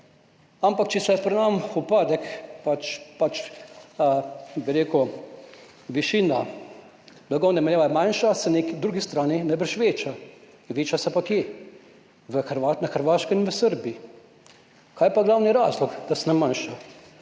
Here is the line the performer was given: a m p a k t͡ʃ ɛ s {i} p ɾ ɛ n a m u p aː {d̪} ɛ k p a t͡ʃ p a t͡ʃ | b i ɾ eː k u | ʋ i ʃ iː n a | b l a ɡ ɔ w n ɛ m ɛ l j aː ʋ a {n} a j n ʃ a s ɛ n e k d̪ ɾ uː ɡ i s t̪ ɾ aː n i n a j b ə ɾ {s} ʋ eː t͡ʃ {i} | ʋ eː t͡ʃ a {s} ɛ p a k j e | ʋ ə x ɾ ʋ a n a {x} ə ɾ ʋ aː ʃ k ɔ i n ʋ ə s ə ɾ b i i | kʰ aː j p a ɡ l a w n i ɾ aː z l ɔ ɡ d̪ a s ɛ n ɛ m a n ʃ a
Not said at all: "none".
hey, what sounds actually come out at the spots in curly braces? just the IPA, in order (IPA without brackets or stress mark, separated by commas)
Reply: ɛ, d̪, m, ʃ, a, s, x